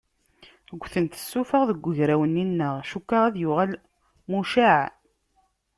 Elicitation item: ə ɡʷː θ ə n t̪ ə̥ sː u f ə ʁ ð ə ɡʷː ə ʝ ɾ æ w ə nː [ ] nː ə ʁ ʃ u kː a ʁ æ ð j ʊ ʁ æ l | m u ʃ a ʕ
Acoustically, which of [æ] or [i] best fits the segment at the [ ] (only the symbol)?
i